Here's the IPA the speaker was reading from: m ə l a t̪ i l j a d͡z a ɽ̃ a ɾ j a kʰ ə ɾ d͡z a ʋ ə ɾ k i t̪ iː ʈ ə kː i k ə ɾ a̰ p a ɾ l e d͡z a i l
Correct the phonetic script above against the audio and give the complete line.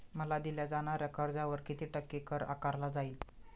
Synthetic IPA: m ə l a d̪ i l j a d͡z a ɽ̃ a ɾ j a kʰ ə ɾ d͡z a ʋ ə ɾ k i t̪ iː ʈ ə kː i k ə ɾ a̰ k a ɾ l a d͡z a i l